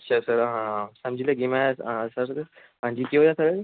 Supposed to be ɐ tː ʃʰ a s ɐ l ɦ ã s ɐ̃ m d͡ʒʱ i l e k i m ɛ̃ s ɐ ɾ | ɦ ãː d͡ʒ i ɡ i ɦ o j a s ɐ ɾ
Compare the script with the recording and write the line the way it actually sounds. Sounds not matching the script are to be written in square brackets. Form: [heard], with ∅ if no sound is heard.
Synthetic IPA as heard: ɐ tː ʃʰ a s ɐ [ɾ] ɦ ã s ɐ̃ m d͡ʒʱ i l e [ɡ] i m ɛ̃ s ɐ ɾ | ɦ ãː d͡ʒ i [k] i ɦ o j a s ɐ ɾ

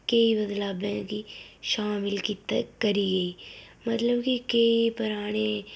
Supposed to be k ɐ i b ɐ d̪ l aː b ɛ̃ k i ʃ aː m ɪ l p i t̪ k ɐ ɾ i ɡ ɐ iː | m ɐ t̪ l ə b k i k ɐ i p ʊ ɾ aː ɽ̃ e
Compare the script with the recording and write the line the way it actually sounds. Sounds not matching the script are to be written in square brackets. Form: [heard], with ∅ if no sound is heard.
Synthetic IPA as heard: k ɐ i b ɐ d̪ l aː b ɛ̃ k i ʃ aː m ɪ l [k] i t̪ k ɐ ɾ i ɡ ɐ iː | m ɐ t̪ l ə b k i k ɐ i p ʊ ɾ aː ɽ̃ e

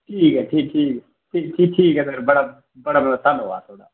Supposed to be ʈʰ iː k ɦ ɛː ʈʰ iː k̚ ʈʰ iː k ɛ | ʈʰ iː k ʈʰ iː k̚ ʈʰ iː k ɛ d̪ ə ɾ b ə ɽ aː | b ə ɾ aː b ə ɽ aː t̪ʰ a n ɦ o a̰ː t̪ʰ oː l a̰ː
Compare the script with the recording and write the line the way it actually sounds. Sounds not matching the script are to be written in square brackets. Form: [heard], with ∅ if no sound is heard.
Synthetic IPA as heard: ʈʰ iː k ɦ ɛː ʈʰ iː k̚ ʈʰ iː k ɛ | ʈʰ iː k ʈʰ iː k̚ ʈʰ iː k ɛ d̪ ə ɾ b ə ɽ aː | b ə [ɽ] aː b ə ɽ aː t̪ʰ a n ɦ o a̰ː t̪ʰ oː [ɽ] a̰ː

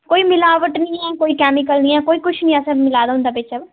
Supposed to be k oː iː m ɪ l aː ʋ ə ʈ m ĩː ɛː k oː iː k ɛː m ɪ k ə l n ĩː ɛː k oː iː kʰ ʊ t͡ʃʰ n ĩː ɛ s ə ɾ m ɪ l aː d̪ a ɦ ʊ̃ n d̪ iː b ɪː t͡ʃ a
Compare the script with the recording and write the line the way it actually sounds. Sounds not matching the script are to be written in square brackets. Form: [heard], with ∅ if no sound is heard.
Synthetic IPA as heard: k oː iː m ɪ l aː ʋ ə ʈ [n] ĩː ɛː k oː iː k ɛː m ɪ k ə l n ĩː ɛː k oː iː [k] ʊ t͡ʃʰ n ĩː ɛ s ə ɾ m ɪ l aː d̪ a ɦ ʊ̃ n d̪ [aː] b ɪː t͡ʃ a

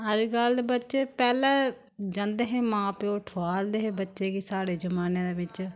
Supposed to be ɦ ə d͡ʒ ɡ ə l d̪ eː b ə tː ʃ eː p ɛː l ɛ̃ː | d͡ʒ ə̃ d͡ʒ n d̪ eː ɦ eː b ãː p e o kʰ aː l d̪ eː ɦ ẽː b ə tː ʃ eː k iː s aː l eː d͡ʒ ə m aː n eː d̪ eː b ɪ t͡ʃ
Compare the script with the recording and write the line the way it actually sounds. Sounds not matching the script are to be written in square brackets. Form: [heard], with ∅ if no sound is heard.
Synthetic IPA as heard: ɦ ə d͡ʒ ɡ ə l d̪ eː b ə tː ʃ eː p ɛː l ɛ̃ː | d͡ʒ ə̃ [∅] n d̪ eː ɦ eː [m] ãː p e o [ʈʰ] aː l d̪ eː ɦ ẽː b ə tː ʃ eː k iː s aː [ɽ] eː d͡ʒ ə m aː n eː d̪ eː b ɪ t͡ʃ

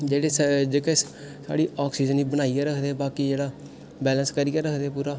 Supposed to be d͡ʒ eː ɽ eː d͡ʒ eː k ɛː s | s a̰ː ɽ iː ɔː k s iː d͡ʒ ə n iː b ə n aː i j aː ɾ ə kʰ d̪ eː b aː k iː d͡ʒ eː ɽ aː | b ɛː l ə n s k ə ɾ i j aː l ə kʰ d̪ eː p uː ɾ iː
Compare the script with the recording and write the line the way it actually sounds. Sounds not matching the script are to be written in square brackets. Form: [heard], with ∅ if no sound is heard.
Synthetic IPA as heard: d͡ʒ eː ɽ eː d͡ʒ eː k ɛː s | s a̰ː ɽ iː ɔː k s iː d͡ʒ ə n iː b ə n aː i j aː ɾ ə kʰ d̪ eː b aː k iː d͡ʒ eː ɽ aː | b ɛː l ə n s k ə ɾ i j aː [ɾ] ə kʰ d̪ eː p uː ɾ [aː]

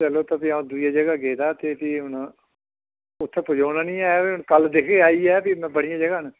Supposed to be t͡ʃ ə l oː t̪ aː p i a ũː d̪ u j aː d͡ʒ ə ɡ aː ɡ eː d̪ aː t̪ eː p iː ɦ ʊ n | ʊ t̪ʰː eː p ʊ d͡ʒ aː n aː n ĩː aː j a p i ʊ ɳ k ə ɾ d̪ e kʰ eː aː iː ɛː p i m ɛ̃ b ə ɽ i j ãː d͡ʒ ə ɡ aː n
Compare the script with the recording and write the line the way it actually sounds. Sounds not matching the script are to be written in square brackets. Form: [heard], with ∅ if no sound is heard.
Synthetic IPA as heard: t͡ʃ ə l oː t̪ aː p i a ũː d̪ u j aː d͡ʒ ə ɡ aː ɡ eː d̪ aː t̪ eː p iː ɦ ʊ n | ʊ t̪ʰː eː p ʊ d͡ʒ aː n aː n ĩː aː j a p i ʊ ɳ k ə [l] d̪ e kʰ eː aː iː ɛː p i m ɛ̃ b ə ɽ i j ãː d͡ʒ ə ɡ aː n

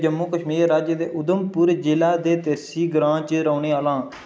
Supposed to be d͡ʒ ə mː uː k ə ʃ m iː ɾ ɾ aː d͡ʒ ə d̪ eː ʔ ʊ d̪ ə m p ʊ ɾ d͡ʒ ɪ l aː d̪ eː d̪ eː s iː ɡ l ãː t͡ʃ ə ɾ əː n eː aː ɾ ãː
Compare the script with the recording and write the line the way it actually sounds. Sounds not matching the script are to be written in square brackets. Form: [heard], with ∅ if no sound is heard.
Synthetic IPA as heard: d͡ʒ ə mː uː k ə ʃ m iː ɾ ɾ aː d͡ʒ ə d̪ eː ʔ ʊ d̪ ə m p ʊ ɾ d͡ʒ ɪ l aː d̪ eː [t̪] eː s iː ɡ [ɾ] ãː t͡ʃ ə ɾ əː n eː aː [l] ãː

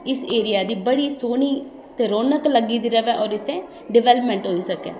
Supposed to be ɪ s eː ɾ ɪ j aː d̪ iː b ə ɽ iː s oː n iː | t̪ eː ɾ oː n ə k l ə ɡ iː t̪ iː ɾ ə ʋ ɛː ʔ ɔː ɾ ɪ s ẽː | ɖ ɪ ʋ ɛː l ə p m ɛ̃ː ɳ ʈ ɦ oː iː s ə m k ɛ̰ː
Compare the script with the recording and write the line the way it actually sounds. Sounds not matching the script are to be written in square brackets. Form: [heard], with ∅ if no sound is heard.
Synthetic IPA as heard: ɪ s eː ɾ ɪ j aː d̪ iː b ə ɽ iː s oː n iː | t̪ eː ɾ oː n ə k l ə ɡ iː [d̪] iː ɾ ə ʋ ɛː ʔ ɔː ɾ ɪ s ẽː | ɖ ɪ ʋ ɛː l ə p m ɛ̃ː ɳ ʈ ɦ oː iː s ə [∅] k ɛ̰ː

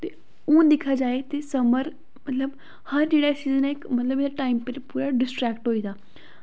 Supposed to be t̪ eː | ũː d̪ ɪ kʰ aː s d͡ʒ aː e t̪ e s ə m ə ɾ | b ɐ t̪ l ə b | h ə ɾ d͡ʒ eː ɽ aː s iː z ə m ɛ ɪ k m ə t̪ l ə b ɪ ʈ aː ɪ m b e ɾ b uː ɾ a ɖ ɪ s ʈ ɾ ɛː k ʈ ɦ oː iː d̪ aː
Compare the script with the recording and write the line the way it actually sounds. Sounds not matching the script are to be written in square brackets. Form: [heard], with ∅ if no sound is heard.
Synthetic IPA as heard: t̪ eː | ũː d̪ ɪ kʰ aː [∅] d͡ʒ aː e t̪ e s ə m ə ɾ | [m] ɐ t̪ l ə b | h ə ɾ d͡ʒ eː ɽ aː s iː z ə [n] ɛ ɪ k m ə t̪ l ə b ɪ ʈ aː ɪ m [p] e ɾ [p] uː ɾ a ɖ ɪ s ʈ ɾ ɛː k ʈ ɦ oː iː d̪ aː

